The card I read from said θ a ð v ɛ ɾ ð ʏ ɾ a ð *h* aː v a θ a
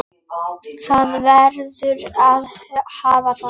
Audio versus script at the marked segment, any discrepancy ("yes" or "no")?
no